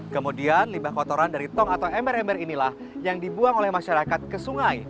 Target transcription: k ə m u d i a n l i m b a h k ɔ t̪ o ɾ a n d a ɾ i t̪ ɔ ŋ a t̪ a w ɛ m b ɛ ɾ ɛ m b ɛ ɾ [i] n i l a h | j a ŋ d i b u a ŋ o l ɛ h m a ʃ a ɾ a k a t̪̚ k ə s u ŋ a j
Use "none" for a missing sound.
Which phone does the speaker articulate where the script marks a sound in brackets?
i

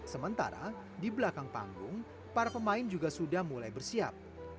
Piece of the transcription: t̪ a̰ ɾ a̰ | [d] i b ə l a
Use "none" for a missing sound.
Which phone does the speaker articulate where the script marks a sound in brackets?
d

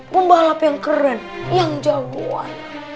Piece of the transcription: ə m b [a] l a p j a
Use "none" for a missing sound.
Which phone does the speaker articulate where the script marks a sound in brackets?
a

